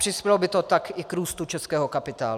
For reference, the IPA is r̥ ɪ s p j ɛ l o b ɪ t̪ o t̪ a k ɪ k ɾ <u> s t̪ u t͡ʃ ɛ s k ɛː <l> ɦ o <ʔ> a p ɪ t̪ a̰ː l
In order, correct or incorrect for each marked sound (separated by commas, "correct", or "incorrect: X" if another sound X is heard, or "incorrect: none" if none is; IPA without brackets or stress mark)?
incorrect: uː, incorrect: none, incorrect: k